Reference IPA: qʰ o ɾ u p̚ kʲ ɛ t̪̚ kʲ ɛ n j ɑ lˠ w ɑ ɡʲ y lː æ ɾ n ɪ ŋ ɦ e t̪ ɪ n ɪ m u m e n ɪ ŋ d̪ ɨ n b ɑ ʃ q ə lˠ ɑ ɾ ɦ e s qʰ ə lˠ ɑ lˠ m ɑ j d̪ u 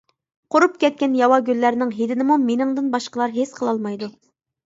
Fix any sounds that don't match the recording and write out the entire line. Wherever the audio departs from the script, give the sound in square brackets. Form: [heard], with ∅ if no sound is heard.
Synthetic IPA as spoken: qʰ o ɾ u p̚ kʲ ɛ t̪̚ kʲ ɛ n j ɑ [∅] w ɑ ɡʲ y lː æ ɾ n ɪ ŋ ɦ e [d̪] ɪ n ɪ m u m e n ɪ ŋ d̪ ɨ n b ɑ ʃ q ə lˠ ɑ ɾ ɦ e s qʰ ə lˠ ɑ lˠ m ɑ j d̪ u